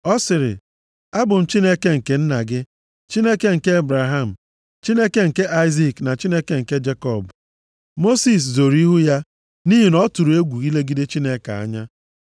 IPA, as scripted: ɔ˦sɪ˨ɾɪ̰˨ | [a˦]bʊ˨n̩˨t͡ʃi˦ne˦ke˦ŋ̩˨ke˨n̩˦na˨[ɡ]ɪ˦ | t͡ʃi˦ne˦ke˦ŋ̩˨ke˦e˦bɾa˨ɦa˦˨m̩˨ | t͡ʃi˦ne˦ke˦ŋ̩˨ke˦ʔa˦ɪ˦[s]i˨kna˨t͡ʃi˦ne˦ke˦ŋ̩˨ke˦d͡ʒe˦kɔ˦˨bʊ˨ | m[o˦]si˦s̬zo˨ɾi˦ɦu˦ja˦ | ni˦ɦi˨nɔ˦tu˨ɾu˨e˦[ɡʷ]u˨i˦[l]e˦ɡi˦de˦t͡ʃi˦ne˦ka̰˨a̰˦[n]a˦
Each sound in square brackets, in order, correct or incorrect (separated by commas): correct, correct, incorrect, correct, correct, correct, incorrect